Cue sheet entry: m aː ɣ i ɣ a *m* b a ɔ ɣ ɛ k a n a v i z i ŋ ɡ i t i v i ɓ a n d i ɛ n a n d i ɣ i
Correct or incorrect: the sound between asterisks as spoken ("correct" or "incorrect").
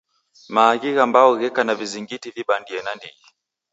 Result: correct